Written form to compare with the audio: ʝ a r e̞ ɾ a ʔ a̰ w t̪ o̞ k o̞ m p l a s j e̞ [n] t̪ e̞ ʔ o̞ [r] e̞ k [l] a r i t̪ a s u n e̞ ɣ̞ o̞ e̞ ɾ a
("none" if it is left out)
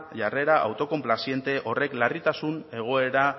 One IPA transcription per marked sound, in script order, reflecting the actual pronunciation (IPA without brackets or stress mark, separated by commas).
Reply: n, r, l